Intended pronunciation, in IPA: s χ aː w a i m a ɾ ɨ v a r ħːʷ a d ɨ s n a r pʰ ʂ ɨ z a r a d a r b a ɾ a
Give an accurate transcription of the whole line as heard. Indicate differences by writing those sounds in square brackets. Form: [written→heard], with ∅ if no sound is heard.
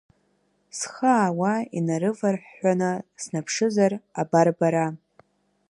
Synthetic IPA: s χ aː w a i [m→n] a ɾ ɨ v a r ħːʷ a [d→n] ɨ s n a [r→∅] pʰ ʂ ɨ z a r a [d→b] a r b a ɾ a